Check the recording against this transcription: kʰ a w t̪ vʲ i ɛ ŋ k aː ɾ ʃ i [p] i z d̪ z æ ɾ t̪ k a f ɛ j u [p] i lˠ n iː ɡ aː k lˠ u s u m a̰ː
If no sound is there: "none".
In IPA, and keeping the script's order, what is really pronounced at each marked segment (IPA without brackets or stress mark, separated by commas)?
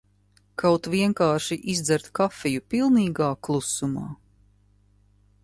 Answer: ʔ, p